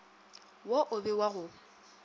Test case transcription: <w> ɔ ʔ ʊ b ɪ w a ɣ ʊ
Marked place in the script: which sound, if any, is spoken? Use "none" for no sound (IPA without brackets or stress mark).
w